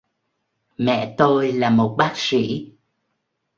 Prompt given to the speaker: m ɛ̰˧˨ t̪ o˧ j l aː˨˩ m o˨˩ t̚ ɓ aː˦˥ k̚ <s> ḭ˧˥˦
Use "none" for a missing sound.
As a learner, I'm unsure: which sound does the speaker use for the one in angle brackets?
s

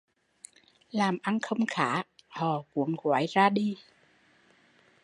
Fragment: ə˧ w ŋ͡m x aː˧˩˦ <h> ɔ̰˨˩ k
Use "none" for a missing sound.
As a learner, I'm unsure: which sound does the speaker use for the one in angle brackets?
h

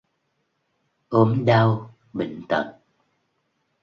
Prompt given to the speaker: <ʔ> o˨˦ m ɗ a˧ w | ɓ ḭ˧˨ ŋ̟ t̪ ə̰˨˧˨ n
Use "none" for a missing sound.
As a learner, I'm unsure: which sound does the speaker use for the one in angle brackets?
ʔ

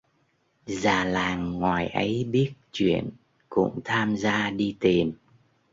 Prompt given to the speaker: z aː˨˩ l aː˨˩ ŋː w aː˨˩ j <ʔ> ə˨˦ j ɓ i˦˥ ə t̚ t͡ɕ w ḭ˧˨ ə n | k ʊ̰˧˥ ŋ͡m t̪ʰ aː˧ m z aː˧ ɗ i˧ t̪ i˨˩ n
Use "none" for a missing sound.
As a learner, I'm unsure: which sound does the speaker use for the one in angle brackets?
ʔ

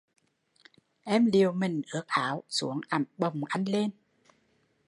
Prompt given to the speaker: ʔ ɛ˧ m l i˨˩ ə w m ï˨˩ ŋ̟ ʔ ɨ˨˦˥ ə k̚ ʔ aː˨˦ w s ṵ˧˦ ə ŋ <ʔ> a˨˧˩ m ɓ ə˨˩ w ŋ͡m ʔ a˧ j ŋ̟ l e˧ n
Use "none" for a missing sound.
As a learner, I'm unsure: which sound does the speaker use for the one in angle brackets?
ʔ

